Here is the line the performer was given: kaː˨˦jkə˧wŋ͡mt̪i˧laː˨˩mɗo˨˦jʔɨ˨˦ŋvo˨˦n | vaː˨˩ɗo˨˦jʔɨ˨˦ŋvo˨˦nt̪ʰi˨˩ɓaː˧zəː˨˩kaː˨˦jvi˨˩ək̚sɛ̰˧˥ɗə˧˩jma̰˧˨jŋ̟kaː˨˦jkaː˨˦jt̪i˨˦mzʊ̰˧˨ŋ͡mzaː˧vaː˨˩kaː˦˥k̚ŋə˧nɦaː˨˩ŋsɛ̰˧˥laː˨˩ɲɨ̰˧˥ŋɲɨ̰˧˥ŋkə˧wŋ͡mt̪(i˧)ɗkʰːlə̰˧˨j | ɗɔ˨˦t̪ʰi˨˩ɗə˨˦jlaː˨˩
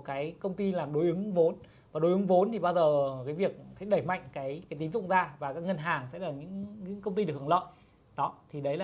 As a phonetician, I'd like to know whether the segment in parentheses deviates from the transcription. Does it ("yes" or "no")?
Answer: no